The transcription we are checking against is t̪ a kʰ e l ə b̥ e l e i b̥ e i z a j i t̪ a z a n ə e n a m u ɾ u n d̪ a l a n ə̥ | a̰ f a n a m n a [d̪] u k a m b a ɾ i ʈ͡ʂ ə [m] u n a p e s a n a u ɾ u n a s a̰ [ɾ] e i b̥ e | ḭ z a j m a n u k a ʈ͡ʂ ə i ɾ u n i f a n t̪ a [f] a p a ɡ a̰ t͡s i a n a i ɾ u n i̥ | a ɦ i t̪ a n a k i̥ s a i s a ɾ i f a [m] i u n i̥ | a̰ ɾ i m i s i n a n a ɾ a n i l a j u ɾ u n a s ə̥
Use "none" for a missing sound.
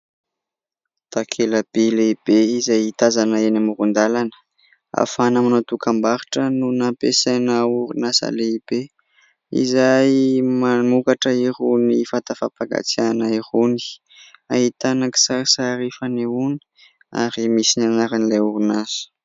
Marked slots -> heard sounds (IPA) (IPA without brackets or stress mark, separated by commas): t̪, n, l, f, n